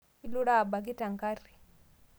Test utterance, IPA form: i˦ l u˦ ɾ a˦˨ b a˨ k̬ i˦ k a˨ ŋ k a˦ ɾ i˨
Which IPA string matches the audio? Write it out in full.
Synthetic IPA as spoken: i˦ l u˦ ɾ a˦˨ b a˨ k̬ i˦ t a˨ ŋ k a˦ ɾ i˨